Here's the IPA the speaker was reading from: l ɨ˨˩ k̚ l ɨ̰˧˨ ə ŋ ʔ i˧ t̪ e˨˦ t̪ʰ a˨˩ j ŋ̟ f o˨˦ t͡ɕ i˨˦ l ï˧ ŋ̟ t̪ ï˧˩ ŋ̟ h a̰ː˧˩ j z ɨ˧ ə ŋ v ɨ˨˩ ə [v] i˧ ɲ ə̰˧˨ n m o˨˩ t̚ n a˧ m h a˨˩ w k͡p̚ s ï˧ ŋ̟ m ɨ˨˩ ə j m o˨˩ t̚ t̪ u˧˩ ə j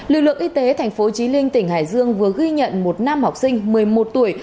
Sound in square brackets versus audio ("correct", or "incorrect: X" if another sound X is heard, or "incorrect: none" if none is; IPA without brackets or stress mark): incorrect: ɣ